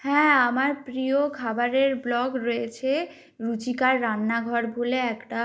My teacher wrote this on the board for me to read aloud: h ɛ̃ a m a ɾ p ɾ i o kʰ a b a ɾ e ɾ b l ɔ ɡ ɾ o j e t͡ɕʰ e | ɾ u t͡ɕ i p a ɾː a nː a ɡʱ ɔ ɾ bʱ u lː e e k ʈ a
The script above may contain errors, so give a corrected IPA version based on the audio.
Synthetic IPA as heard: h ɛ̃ a m a ɾ p ɾ i o kʰ a b a ɾ e ɾ b l ɔ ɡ ɾ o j e t͡ɕʰ e | ɾ u t͡ɕ i k a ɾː a nː a ɡʱ ɔ ɾ bʱ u l e ɛ k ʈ a